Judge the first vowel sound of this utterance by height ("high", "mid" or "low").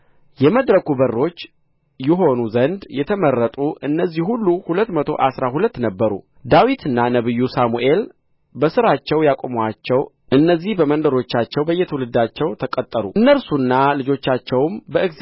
mid